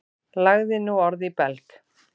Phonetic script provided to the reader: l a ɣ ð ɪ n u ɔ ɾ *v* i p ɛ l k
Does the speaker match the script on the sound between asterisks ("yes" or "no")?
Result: no